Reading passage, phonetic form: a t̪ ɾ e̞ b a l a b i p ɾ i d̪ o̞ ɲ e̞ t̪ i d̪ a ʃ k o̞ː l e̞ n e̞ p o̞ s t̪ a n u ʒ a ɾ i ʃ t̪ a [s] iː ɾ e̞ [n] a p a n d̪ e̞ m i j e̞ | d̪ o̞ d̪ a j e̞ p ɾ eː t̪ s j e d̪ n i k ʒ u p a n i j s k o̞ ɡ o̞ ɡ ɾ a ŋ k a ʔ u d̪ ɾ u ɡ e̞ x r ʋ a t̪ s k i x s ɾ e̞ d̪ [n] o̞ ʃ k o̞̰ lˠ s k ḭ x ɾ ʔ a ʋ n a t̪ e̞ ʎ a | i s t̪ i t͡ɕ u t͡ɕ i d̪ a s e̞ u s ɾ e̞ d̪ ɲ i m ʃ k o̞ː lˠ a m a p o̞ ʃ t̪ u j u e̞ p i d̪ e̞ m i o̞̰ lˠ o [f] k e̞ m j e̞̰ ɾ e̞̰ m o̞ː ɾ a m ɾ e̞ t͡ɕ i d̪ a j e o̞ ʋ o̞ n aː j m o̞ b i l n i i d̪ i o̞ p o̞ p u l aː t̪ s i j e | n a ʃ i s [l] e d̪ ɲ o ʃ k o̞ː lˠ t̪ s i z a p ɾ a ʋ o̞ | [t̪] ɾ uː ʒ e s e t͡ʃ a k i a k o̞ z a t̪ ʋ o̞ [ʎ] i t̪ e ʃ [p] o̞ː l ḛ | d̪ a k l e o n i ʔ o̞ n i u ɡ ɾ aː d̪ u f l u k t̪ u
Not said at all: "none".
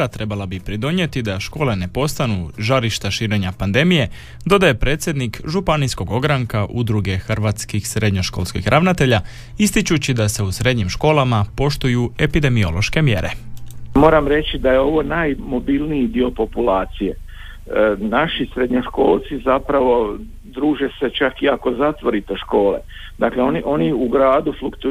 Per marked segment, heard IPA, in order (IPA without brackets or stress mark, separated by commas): ʃ, ɲ, ɲ, ʃ, ɾ, d̪, ɾ, k